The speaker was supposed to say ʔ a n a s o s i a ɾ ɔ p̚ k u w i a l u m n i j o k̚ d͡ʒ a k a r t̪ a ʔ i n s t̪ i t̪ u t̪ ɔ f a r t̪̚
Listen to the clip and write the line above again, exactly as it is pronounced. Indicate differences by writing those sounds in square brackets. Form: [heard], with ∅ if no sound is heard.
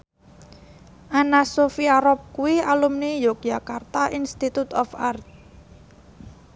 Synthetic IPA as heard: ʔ a n a s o [f] i a ɾ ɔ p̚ k u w i a l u m n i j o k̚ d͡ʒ a k a r t̪ a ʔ i n s t̪ i t̪ u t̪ ɔ f a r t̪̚